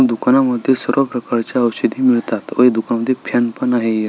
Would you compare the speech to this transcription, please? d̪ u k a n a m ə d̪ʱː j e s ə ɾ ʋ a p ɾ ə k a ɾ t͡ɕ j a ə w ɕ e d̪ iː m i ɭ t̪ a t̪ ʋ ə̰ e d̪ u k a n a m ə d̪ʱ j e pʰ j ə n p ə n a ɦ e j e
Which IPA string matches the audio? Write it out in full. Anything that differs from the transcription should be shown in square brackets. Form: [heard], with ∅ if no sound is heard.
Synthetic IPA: d̪ u k a n a m ə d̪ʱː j e s ə ɾ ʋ a p ɾ ə k a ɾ t͡ɕ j a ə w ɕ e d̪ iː m i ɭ t̪ a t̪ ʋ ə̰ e d̪ u k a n a m ə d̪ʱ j e pʰ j [a] n p ə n a ɦ e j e